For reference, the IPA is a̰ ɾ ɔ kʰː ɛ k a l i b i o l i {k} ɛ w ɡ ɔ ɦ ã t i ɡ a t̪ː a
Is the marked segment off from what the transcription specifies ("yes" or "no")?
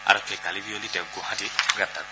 yes